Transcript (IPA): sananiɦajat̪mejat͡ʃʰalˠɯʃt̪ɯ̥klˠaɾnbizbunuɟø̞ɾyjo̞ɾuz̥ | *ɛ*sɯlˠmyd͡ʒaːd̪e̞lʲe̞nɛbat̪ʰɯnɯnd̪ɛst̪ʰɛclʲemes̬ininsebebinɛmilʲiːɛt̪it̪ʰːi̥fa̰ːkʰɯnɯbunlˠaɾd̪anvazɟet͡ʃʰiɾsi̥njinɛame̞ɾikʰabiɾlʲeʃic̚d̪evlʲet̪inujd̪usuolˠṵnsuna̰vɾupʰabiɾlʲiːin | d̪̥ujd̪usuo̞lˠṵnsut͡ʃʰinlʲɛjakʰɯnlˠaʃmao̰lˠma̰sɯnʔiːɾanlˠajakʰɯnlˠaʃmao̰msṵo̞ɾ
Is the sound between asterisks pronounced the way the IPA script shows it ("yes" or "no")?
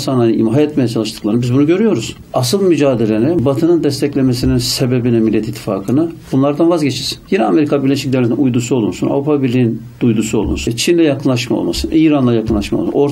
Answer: no